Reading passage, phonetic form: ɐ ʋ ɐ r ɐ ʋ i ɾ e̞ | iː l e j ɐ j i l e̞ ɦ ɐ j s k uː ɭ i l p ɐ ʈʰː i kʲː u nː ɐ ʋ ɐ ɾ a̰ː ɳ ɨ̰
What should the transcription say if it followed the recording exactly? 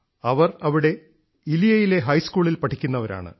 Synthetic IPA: ɐ ʋ ɐ r ɐ ʋ i ɽ e̞ | i l i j ɐ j i l e̞ ɦ ɐ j s k uː ɭ i l p ɐ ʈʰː i kʲː u nː ɐ ʋ ɐ ɾ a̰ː ɳ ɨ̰